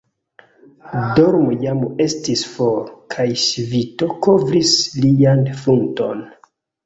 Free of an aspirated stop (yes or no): no